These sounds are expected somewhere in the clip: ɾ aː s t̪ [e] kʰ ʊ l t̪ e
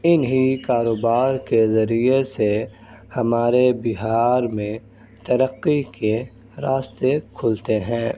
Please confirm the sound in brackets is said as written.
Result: yes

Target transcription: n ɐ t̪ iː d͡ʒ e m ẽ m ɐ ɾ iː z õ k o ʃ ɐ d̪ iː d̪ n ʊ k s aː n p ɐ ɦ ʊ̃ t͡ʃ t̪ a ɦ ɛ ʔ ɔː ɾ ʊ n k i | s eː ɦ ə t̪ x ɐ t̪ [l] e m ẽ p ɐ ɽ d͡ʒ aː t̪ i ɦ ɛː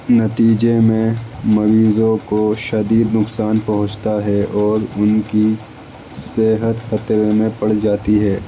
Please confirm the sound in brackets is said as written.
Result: no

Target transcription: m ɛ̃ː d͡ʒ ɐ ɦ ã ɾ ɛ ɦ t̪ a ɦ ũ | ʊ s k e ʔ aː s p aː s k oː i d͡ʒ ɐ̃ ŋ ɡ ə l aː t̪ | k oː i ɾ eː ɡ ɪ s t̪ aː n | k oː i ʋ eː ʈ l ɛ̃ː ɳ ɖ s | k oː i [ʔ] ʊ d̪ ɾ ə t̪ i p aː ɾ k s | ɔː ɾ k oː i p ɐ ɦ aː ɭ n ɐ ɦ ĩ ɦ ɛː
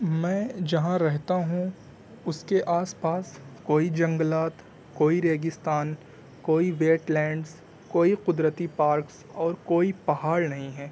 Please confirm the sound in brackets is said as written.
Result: no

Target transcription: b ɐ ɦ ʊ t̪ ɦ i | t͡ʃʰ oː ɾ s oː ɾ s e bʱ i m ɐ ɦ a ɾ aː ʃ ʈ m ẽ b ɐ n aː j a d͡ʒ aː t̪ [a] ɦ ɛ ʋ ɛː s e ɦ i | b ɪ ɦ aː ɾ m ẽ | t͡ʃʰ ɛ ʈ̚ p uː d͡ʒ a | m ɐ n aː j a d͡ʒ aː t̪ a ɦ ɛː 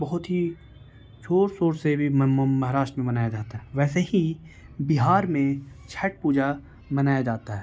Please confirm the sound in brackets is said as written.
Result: yes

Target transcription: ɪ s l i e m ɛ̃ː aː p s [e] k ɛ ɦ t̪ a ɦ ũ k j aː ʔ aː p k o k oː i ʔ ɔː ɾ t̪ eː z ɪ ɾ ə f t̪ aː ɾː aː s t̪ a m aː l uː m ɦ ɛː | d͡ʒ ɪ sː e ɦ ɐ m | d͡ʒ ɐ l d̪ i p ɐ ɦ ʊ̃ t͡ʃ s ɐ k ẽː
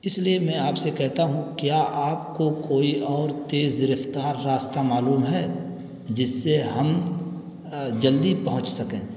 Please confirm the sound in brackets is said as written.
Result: yes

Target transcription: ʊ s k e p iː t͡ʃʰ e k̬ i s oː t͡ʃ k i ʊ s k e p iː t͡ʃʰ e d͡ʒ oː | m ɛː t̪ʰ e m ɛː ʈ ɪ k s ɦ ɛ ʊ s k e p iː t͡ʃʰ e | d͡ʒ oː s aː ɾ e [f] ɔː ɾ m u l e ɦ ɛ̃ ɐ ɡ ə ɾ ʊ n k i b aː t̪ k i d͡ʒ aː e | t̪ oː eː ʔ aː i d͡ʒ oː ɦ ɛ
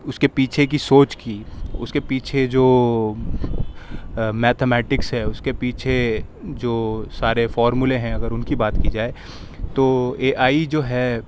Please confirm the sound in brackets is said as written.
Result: yes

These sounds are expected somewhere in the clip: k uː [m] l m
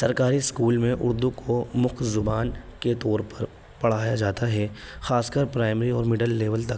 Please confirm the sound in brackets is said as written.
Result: no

